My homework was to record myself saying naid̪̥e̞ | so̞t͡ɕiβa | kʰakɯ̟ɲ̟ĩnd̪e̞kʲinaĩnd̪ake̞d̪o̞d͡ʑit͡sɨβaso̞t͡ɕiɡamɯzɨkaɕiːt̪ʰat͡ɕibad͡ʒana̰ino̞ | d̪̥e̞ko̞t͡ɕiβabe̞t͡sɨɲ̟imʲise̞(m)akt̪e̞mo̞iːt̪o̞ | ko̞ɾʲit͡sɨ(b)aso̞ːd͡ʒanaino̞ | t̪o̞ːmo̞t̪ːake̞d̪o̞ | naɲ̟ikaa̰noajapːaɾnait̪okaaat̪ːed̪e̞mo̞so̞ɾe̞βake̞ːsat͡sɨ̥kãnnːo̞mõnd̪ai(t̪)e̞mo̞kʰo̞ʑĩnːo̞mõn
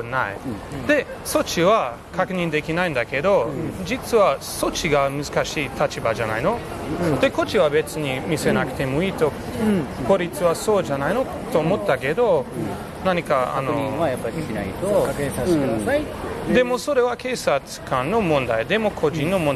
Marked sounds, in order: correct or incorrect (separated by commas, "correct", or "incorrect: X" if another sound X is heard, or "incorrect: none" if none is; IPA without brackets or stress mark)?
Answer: incorrect: n, incorrect: β, incorrect: d̪